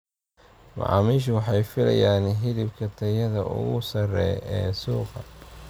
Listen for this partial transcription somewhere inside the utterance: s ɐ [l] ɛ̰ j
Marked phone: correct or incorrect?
incorrect